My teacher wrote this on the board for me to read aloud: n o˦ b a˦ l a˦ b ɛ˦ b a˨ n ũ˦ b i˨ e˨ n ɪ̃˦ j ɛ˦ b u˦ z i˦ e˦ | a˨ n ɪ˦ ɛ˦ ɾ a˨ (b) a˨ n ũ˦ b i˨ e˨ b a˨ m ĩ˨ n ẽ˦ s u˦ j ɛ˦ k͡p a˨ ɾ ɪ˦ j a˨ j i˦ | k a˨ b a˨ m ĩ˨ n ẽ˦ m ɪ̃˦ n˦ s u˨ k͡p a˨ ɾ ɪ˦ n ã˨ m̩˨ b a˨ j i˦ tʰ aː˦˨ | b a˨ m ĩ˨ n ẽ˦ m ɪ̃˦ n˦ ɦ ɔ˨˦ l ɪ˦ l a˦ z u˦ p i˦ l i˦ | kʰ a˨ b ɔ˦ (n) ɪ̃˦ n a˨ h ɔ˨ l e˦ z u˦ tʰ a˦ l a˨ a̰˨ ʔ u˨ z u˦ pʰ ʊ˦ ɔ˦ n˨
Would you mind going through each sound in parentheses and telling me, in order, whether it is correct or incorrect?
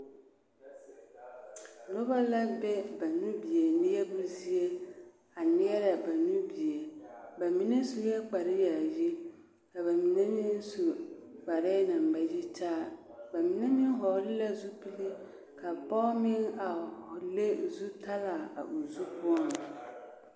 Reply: correct, incorrect: m

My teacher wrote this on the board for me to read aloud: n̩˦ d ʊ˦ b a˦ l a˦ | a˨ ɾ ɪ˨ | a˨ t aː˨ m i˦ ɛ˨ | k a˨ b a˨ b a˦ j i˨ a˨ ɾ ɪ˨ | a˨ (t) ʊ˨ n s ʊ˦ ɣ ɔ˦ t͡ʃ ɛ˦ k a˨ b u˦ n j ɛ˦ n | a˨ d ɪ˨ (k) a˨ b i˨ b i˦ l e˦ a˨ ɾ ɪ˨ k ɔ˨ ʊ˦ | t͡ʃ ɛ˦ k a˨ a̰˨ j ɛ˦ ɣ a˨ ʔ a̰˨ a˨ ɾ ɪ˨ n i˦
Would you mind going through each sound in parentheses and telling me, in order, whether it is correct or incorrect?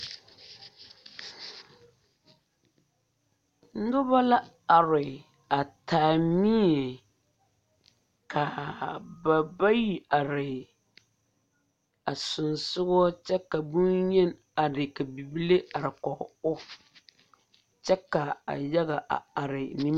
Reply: incorrect: s, correct

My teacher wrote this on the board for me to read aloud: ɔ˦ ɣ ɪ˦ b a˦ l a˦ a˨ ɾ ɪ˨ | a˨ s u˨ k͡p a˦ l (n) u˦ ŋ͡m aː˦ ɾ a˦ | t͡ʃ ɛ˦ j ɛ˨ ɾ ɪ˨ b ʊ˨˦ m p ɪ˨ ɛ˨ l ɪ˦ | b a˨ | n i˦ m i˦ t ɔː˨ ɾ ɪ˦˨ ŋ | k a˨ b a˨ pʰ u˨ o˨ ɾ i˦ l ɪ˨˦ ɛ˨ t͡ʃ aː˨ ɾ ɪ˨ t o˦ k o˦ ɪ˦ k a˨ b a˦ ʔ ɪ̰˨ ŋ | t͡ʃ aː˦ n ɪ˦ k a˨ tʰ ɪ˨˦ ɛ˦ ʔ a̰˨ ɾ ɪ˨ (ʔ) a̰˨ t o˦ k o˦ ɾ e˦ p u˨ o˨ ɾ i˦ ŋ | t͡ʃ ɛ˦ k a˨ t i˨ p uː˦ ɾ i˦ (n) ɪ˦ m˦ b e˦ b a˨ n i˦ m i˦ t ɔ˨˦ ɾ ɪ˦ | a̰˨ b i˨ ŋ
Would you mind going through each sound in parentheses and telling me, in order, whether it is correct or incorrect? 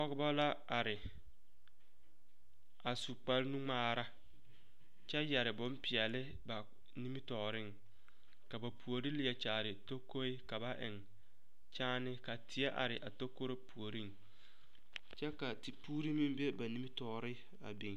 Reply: correct, correct, incorrect: m

